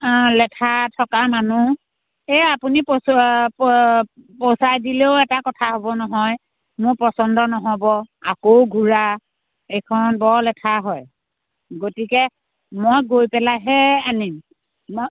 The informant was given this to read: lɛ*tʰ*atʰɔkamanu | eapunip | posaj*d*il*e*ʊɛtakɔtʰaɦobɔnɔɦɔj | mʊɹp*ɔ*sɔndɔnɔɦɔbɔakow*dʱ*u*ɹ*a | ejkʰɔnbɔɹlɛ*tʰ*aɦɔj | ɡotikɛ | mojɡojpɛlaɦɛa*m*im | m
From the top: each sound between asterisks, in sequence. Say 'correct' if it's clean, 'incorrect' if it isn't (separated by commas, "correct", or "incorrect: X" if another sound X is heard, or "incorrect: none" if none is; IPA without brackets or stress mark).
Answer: correct, correct, correct, correct, incorrect: ɡʱ, correct, correct, incorrect: n